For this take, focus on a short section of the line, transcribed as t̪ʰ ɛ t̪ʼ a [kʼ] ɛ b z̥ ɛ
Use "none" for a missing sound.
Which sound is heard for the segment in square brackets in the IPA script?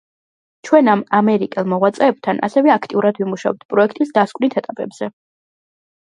pʼ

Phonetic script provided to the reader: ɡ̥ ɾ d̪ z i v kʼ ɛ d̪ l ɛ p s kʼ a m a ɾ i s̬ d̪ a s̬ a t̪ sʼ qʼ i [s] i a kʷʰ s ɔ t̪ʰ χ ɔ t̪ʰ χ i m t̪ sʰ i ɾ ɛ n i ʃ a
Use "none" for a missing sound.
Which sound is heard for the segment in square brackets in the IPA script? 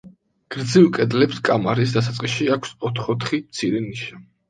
ʃ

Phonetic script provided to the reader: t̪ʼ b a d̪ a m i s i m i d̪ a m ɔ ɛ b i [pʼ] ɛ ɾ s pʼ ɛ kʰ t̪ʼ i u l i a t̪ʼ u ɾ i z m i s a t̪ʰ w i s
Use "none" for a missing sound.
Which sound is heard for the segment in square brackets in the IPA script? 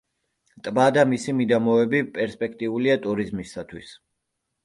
pʼ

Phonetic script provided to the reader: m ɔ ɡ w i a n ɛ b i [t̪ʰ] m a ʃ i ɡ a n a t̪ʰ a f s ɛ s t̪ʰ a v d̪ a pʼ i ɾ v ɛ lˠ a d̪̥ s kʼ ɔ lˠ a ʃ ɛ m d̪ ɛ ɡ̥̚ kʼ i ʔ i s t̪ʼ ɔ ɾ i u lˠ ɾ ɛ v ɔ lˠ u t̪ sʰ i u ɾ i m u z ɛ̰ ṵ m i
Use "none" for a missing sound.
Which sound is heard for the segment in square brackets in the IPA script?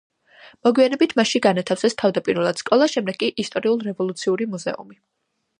t̪ʰ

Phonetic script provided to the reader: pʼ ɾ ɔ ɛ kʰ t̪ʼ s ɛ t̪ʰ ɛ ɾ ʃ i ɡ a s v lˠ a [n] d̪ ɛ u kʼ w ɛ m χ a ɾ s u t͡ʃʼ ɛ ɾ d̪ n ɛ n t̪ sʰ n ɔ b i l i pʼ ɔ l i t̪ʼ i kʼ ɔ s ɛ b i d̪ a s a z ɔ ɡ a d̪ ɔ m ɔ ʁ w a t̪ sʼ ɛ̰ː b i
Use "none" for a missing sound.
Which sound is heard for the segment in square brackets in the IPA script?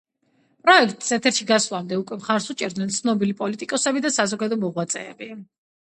m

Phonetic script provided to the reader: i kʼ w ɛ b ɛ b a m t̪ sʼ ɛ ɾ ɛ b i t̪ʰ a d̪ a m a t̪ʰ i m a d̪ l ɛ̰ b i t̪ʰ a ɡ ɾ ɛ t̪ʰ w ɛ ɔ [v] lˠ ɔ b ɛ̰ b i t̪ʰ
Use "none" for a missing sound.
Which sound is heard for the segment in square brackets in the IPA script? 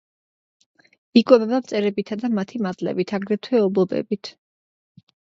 b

